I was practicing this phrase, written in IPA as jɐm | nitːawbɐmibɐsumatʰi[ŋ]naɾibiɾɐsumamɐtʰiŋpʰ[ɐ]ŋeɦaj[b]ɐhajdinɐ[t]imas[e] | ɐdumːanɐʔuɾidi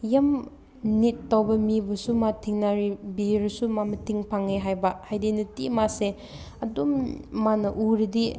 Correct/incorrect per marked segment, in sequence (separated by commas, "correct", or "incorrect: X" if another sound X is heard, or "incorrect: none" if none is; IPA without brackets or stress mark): correct, incorrect: a, correct, correct, correct